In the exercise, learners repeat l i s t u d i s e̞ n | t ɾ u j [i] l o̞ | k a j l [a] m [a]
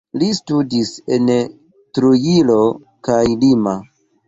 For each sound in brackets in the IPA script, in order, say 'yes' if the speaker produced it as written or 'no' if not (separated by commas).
yes, no, yes